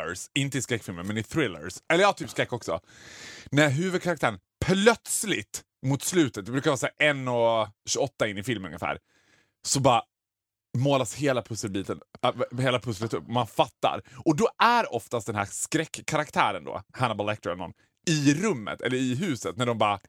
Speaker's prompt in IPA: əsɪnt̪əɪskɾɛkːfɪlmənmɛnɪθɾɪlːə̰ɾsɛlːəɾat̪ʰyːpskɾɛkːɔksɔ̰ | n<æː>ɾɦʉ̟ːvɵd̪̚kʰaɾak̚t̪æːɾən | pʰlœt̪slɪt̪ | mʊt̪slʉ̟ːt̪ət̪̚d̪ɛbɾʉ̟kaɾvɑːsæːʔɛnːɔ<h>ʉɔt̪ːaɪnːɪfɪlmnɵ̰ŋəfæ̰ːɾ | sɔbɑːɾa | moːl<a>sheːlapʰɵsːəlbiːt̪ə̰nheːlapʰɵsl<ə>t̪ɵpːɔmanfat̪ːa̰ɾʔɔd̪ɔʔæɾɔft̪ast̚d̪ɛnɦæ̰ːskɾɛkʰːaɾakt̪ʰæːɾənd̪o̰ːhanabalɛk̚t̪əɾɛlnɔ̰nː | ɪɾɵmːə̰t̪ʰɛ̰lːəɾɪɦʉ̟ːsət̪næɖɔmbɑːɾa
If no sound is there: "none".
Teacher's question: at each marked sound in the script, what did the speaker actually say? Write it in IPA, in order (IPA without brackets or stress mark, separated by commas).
æ, ɕ, a, ə